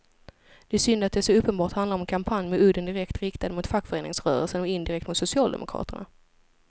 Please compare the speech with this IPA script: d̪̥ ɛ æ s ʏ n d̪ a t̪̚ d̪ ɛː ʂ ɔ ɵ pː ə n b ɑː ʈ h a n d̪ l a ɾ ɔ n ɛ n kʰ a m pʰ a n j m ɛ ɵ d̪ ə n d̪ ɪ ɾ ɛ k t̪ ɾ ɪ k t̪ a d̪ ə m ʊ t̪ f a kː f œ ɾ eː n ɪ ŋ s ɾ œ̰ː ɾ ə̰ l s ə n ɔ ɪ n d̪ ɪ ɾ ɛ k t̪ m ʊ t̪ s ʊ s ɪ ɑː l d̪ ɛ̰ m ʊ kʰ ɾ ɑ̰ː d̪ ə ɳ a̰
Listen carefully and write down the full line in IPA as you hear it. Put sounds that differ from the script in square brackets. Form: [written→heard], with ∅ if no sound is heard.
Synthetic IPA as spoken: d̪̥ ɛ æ s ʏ n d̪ a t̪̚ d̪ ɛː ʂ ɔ ɵ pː ə n b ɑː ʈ h a n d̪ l a ɾ ɔ [n→m] ɛ n kʰ a m pʰ a n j m ɛ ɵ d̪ ə n d̪ ɪ ɾ ɛ k t̪ ɾ ɪ k t̪ a d̪ ə m ʊ t̪ f a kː f œ ɾ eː n ɪ ŋ s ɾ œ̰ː ɾ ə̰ l s ə n ɔ ɪ n d̪ ɪ ɾ ɛ k t̪ m ʊ t̪ s ʊ s ɪ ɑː l d̪ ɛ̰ m ʊ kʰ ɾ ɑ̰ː [d̪→t̪] ə ɳ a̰